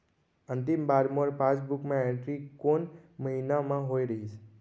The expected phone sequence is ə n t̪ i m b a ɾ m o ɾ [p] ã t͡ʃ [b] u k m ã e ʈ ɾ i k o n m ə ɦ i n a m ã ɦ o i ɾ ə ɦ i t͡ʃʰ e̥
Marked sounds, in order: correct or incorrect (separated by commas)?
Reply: correct, correct